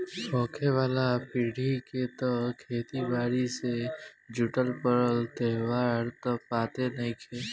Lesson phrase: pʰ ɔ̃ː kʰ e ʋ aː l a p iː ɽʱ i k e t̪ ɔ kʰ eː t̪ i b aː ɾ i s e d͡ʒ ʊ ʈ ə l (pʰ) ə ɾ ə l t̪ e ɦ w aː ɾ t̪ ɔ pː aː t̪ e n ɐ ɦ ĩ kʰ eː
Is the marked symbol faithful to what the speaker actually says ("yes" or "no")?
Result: no